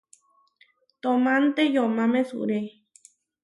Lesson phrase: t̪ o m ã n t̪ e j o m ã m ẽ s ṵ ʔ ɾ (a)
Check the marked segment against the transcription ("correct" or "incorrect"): incorrect